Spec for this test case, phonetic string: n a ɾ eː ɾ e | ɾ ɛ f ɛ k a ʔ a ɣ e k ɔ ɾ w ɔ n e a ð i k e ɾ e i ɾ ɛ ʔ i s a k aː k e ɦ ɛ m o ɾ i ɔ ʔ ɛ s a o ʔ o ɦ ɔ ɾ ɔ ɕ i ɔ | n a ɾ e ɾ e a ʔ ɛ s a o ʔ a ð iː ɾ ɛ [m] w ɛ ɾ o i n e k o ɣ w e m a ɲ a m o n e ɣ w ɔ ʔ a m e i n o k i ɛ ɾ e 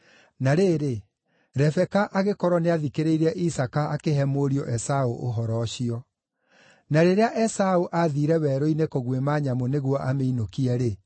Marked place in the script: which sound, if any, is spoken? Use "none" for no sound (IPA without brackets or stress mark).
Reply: none